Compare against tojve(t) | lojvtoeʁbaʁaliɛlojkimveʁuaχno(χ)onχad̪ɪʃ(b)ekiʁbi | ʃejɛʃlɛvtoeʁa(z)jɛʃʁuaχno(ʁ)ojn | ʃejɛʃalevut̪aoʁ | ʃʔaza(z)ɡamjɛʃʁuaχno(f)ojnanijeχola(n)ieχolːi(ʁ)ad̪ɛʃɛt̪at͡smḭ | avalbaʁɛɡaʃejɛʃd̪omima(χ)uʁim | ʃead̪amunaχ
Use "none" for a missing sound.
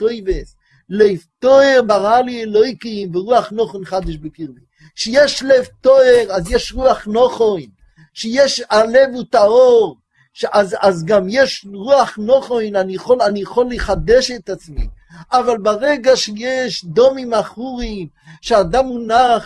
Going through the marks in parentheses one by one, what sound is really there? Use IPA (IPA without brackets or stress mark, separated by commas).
s, χ, b, z, χ, z, χ, n, χ, χ